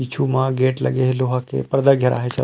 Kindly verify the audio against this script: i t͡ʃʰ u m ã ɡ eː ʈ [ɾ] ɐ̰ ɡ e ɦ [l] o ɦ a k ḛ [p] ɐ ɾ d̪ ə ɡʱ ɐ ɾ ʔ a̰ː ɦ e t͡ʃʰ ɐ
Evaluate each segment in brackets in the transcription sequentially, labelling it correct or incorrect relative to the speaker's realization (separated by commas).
incorrect, correct, correct